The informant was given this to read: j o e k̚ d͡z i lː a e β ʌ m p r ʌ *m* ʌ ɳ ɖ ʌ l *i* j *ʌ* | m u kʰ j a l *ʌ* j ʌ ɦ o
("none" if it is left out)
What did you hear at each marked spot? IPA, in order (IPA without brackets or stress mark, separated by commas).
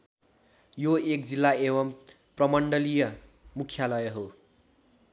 m, i, ʌ, ʌ